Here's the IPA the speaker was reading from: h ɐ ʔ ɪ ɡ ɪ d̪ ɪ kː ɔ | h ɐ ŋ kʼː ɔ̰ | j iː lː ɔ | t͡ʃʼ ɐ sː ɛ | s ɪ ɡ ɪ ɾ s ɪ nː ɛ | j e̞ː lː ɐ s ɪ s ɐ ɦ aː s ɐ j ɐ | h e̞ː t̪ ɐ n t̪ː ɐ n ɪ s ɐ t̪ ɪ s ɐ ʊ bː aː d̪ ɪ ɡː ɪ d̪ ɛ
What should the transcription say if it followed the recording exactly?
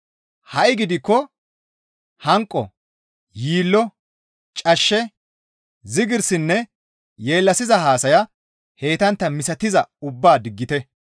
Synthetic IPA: h ɐ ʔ ɪ ɡ ɪ d̪ ɪ kː ɔ | h ɐ ŋ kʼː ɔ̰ | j iː lː ɔ | t͡ʃʼ ɐ ʃː ɛ | z ɪ ɡ ɪ ɾ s ɪ nː ɛ | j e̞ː lː ɐ s ɪ z ɐ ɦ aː s ɐ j ɐ | h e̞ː t̪ ɐ n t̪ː ɐ m ɪ s ɐ t̪ ɪ z ɐ ʊ bː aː d̪ ɪ ɡː ɪ t̪ ɛ